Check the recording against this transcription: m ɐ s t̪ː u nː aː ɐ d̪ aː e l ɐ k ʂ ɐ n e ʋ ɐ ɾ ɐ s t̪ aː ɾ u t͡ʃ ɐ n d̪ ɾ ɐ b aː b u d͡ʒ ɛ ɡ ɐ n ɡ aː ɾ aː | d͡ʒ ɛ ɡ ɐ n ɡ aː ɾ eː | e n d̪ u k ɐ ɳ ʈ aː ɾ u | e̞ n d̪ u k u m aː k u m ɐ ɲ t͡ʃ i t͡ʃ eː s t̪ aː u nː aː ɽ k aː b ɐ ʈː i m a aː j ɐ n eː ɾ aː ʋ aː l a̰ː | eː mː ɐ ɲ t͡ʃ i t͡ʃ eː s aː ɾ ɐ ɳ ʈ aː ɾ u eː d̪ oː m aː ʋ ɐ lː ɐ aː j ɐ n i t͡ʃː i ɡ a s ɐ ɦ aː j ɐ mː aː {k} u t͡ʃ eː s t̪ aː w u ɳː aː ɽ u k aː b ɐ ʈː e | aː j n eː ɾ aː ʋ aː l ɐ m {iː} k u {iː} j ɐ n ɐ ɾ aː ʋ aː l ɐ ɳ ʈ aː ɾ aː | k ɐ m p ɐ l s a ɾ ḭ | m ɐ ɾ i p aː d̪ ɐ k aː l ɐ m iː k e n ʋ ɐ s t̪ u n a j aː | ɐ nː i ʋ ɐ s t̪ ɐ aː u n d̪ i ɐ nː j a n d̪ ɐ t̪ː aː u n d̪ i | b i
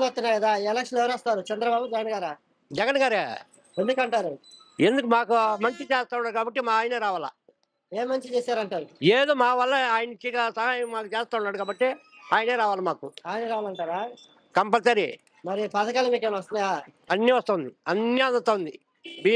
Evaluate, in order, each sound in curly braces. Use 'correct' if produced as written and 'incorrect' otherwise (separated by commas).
correct, incorrect, incorrect